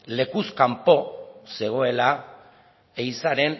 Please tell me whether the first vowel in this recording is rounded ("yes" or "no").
no